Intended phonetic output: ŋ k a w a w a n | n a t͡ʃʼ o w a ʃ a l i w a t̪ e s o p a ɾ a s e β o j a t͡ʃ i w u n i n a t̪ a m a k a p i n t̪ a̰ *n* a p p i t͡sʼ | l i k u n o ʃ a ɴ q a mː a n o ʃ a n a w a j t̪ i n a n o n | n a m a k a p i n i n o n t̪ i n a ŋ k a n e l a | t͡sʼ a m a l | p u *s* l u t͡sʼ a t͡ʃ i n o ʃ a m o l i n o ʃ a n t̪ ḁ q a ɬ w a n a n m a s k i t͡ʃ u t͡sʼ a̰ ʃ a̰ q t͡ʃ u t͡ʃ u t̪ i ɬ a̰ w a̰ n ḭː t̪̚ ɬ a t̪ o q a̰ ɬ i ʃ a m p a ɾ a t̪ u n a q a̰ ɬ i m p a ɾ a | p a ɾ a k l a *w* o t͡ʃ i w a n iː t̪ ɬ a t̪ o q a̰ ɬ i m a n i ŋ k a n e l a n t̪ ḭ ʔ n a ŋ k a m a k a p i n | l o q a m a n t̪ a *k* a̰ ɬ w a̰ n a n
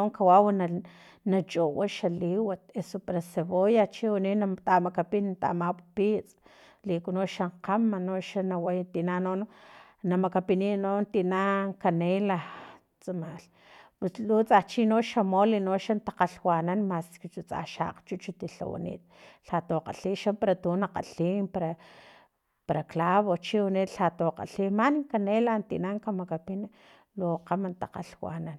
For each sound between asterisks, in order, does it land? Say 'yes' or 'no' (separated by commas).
no, yes, no, no